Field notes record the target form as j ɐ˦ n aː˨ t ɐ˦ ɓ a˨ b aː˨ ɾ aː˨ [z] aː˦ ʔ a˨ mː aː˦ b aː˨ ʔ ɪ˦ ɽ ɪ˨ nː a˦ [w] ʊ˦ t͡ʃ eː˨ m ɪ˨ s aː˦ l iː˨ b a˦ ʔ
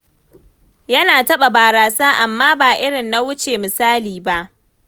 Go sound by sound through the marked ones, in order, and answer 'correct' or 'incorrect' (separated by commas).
incorrect, correct